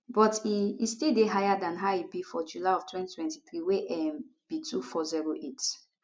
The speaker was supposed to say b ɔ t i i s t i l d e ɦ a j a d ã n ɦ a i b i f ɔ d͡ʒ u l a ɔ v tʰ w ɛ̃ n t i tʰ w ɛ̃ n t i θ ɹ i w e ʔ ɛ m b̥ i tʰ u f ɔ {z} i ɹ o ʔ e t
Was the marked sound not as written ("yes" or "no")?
no